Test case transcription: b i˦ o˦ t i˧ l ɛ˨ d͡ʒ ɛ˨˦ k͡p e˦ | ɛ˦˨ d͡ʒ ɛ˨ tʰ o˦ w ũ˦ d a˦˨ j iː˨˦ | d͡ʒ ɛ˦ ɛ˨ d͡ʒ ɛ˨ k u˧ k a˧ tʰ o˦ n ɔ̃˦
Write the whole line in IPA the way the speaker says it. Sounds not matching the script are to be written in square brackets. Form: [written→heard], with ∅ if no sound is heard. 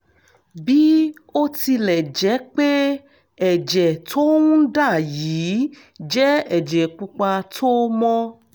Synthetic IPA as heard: b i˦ o˦ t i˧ l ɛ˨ d͡ʒ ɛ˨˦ k͡p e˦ | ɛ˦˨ d͡ʒ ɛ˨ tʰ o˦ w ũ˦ d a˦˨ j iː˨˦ | d͡ʒ ɛ˦ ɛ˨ d͡ʒ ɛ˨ [k→k͡p] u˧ [k→k͡p] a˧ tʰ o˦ [n→m] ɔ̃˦

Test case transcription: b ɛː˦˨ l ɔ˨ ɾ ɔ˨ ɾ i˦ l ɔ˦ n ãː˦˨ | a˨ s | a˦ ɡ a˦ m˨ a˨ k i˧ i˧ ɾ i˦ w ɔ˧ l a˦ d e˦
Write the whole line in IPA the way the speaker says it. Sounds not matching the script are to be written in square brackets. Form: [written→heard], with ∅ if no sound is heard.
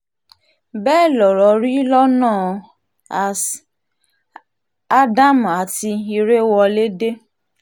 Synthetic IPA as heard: b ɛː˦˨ l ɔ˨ ɾ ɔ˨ ɾ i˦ l ɔ˦ n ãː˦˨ | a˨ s | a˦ [ɡ→d] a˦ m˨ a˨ [k→t] i˧ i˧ ɾ [i˦→e˦] w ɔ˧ l [a˦→e˦] d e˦

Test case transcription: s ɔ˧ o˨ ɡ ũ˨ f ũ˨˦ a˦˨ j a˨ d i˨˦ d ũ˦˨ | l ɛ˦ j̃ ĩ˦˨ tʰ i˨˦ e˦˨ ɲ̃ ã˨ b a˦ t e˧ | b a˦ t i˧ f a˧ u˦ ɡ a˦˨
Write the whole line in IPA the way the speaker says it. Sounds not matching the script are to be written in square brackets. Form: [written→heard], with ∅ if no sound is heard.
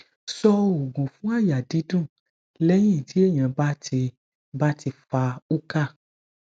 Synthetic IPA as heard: s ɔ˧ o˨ ɡ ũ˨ f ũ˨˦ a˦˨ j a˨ d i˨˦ d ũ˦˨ | l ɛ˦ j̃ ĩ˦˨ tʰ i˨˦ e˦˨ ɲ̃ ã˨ b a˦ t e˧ | b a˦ t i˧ f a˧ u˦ [ɡ→k] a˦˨

